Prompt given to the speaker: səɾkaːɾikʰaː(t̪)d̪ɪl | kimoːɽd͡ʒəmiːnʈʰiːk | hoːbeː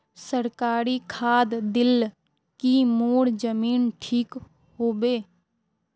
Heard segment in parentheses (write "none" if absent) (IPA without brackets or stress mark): d̪